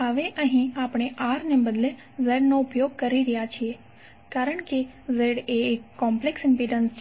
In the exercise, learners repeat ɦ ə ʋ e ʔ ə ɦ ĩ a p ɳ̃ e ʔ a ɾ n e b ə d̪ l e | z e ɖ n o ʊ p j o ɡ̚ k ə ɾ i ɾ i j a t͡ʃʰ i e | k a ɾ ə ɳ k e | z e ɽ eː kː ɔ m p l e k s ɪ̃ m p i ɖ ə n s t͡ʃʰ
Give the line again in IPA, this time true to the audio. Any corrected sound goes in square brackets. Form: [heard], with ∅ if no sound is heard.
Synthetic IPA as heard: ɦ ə ʋ e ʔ ə ɦ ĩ a p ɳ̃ e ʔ a ɾ n e b ə d̪ l e | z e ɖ n o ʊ p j o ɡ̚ k ə ɾ i ɾ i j a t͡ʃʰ i e | k a ɾ ə ɳ k e | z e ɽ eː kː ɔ m p l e k s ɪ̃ m p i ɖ ə n s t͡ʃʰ

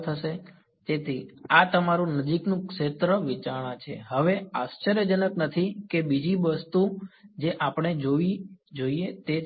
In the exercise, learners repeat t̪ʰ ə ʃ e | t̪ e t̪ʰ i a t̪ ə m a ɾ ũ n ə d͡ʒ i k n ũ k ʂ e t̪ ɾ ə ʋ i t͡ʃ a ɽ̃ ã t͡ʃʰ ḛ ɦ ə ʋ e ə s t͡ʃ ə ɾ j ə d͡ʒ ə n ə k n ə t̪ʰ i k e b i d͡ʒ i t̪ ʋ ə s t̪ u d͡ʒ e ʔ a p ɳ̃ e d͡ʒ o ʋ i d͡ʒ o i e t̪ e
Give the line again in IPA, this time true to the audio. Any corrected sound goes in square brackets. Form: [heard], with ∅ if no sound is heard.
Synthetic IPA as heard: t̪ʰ ə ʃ e | t̪ e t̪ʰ i a t̪ ə m a ɾ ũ n ə d͡ʒ i k n ũ k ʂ e t̪ ɾ ə ʋ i t͡ʃ a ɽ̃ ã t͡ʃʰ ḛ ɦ ə ʋ e [a] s t͡ʃ ə ɾ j ə d͡ʒ ə n ə k n ə t̪ʰ i k e b i d͡ʒ i [∅] ʋ ə s t̪ u d͡ʒ e ʔ a p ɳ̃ e d͡ʒ o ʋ i d͡ʒ o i e t̪ e

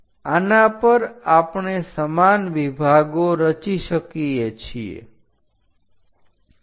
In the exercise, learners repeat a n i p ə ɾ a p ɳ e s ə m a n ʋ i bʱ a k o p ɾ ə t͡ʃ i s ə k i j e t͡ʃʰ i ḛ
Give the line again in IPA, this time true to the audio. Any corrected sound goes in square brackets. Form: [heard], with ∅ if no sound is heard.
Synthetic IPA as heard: a n [a] p ə ɾ a p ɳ e s ə m a n ʋ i bʱ a [ɡ] o [∅] ɾ ə t͡ʃ i [ʃ] ə k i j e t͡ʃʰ i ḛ

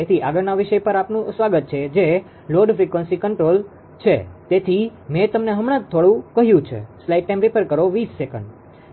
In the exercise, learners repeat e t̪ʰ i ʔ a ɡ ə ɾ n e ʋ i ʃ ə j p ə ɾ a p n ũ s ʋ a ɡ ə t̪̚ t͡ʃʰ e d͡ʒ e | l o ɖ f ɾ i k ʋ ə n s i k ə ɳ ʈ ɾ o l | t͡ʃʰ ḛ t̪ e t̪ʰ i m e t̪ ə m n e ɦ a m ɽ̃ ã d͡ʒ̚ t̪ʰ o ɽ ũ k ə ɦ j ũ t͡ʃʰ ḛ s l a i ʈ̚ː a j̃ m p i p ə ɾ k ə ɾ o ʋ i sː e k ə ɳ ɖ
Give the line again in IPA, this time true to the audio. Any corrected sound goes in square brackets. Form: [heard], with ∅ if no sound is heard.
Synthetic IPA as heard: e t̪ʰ i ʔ a ɡ ə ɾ n [a] ʋ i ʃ ə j p ə ɾ a p n ũ s ʋ a ɡ ə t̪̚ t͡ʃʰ e d͡ʒ e | l o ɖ f ɾ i k ʋ ə n s i k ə ɳ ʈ ɾ o l | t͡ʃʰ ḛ t̪ e t̪ʰ i m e t̪ ə m n e ɦ [ə] m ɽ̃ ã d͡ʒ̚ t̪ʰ o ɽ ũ k ə ɦ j ũ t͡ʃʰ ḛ s l a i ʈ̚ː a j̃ m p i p ə ɾ k ə ɾ o ʋ i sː e k ə ɳ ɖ

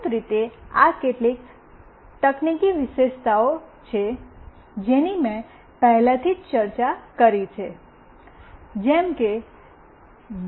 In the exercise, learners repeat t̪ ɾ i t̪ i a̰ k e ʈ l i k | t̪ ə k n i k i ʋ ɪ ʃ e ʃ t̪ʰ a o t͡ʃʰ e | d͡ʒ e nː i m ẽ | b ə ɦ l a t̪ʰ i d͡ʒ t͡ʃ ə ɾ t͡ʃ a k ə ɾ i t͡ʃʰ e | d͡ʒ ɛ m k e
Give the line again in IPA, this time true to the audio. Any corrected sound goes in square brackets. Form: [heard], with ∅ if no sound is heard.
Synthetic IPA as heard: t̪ ɾ i t̪ [e] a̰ k e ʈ l i k | t̪ ə k n i k i ʋ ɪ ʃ e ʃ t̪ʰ a o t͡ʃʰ e | d͡ʒ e [n] i m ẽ | [p] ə ɦ l a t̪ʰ i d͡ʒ t͡ʃ ə ɾ t͡ʃ a k ə ɾ i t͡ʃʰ e | d͡ʒ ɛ m k e

